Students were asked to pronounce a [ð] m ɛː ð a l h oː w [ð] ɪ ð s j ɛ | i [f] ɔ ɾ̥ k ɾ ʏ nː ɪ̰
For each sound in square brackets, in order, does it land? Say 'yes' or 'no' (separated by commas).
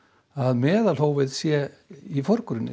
yes, no, yes